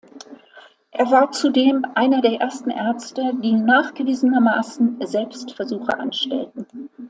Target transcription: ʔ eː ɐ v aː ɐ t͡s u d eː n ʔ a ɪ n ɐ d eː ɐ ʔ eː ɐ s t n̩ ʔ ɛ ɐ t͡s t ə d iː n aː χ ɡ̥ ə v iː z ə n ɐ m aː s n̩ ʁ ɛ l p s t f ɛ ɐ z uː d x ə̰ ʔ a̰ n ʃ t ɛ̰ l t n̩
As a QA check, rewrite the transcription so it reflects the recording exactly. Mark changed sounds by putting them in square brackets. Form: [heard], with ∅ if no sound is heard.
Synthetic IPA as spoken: ʔ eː ɐ v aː ɐ t͡s u d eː [m] ʔ a ɪ n ɐ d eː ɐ ʔ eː ɐ s t n̩ ʔ ɛ ɐ t͡s t ə d iː n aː χ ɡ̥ ə v iː z ə n ɐ m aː s n̩ [z] ɛ l p s t f ɛ ɐ z uː [∅] x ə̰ ʔ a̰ n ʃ t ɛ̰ l t n̩